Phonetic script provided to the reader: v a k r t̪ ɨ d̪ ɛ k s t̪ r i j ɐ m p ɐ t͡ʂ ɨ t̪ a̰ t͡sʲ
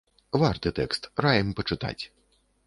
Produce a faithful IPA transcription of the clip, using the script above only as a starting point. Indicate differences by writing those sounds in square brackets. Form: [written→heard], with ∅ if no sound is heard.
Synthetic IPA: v a [k→∅] r t̪ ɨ [d̪→t̪] ɛ k s t̪ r [i→a] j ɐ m p ɐ t͡ʂ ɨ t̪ a̰ t͡sʲ